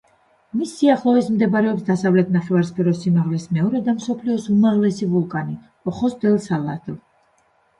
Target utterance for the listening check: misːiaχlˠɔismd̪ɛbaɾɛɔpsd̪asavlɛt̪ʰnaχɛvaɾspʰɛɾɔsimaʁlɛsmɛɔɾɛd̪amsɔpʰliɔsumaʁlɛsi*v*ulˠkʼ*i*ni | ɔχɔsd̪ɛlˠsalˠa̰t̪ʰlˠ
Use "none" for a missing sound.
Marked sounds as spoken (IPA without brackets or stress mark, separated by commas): v, a